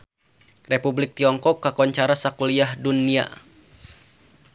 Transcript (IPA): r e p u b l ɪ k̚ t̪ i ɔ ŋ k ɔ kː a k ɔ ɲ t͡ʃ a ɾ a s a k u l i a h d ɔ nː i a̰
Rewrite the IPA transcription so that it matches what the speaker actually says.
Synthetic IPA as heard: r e p u b l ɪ k̚ t̪ i ɔ ŋ k ɔ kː a k ɔ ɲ t͡ʃ a ɾ a s a k u l i a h d u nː i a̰